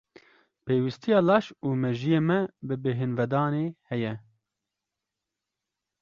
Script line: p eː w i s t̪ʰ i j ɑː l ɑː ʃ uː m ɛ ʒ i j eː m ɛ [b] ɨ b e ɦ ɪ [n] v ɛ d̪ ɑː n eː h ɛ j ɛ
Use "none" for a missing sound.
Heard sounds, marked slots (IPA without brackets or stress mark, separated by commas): b, n